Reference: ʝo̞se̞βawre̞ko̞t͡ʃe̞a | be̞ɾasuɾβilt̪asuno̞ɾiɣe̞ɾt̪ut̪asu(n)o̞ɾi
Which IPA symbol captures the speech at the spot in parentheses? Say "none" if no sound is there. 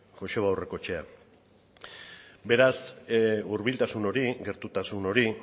n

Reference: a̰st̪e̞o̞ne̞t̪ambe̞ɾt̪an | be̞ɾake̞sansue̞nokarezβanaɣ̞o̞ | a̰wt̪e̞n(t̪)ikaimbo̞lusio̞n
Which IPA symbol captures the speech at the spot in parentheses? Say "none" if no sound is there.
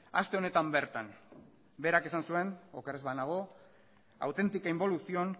t̪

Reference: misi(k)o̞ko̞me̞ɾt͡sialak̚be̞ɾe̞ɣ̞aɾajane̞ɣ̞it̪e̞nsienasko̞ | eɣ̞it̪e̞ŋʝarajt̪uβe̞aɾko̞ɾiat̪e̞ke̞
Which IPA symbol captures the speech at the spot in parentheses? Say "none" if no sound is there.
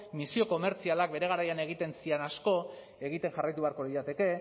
none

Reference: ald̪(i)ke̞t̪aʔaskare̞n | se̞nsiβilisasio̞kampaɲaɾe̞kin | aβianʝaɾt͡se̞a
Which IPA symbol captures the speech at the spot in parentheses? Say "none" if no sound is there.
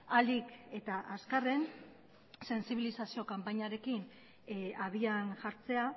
i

